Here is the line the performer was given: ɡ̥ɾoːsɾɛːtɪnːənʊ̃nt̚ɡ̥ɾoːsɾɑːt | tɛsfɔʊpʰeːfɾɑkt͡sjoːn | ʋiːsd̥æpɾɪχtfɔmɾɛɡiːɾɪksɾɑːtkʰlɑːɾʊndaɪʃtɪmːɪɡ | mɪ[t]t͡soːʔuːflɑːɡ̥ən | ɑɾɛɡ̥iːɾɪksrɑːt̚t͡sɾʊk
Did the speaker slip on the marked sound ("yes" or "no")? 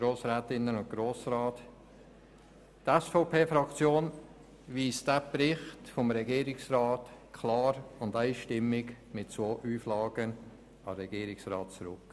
no